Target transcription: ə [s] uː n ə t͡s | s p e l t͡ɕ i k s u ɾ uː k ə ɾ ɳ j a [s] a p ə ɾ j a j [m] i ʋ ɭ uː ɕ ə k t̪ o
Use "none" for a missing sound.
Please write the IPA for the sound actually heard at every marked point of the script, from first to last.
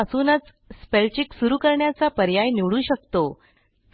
s, t͡s, n

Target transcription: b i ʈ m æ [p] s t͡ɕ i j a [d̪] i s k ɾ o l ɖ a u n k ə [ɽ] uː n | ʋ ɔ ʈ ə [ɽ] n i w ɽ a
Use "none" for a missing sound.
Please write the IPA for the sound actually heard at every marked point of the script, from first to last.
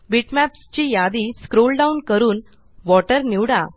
p, d̪, ɾ, ɾ

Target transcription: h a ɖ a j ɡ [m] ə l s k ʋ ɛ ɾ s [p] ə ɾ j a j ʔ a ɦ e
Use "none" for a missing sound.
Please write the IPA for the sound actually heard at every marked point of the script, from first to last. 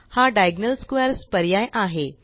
n, p

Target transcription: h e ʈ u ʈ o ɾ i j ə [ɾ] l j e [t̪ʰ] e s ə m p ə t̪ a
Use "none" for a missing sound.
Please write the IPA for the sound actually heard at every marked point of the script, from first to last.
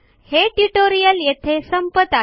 none, t̪ʰ

